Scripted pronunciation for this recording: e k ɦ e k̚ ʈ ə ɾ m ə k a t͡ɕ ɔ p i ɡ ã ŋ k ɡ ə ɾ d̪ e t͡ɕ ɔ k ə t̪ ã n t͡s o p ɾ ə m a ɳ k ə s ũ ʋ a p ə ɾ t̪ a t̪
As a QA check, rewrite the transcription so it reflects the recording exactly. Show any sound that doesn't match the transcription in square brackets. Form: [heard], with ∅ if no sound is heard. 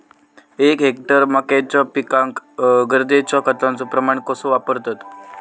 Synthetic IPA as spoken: e k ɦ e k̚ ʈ ə ɾ m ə k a t͡ɕ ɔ p i [k] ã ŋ k ɡ ə ɾ d̪ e t͡ɕ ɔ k ə t̪ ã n t͡s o p ɾ ə m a ɳ k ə s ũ ʋ a p ə ɾ t̪ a t̪